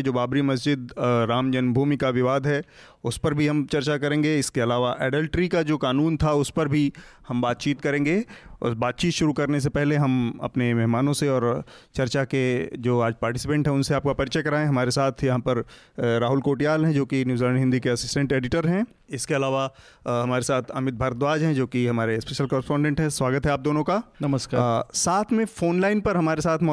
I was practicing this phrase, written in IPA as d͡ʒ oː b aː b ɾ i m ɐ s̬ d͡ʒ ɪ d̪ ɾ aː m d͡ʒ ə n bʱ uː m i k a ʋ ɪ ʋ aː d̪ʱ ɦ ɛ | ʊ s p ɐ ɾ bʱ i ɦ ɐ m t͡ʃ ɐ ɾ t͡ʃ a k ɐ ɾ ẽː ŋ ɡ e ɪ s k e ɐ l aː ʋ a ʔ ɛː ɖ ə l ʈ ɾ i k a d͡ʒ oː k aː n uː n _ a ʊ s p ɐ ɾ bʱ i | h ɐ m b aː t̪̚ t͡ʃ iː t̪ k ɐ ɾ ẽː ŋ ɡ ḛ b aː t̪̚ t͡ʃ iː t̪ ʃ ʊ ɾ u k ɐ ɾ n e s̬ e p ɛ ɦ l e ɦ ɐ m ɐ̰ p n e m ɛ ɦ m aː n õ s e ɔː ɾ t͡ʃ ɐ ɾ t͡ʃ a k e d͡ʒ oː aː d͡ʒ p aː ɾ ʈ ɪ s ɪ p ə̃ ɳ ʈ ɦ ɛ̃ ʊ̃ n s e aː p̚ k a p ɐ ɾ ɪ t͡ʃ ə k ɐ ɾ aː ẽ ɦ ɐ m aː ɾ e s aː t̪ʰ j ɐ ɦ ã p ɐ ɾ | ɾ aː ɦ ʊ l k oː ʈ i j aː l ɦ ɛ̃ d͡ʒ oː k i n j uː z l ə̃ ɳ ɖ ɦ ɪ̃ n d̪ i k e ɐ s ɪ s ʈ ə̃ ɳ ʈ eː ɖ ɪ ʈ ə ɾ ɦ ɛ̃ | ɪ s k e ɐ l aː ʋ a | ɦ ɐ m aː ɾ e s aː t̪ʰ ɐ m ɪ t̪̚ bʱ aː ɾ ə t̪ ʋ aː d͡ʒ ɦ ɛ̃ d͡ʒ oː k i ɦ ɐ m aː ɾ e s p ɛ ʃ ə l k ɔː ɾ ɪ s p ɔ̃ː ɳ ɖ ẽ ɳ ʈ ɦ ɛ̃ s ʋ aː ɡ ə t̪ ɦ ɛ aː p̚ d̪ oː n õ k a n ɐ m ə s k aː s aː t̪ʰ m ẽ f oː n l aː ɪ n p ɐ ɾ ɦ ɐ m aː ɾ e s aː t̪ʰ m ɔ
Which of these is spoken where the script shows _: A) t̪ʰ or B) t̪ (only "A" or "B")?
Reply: A